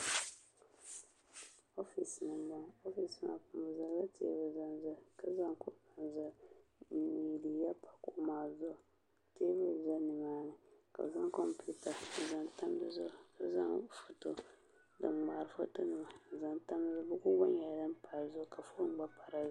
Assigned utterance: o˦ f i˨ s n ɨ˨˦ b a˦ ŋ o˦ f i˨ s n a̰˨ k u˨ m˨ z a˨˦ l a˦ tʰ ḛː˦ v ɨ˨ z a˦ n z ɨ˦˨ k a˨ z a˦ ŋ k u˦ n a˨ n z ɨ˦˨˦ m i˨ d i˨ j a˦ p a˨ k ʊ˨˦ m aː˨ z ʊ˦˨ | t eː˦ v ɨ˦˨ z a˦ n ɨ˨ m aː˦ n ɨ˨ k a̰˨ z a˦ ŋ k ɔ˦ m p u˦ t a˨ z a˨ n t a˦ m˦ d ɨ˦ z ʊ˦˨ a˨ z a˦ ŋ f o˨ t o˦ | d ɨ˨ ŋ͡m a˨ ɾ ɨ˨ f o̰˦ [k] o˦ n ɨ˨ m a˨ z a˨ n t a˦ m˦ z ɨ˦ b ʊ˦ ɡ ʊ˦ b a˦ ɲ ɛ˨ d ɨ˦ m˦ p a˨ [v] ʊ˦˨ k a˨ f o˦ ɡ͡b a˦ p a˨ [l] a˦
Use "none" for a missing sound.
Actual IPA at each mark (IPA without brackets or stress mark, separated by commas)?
t, z, ɾ